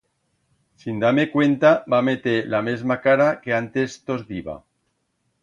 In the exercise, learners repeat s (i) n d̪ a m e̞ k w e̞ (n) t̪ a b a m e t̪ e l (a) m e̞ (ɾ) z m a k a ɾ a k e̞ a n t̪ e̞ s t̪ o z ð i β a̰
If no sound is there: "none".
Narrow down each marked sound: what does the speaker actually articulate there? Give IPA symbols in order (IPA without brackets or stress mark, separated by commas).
i, n, a, none